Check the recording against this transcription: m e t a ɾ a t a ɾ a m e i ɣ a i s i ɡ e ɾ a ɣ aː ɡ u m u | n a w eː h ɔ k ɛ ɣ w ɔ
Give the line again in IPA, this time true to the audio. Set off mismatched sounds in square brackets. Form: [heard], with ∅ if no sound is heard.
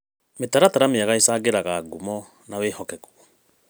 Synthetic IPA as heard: m e t a ɾ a t a ɾ a m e [a] ɣ a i s [a] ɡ e ɾ a ɣ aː ɡ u m [ɔ] | n a w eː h ɔ k ɛ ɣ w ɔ